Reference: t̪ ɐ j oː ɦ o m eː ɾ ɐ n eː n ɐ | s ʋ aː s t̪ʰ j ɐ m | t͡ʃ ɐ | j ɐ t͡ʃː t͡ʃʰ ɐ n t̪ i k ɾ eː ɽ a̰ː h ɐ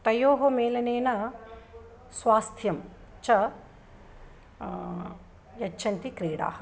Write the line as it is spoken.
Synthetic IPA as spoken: t̪ ɐ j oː ɦ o m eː l ɐ n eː n ɐ | s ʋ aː s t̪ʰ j ɐ m | t͡ʃ ɐ | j ɐ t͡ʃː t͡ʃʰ ɐ n t̪ i k ɾ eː ɽ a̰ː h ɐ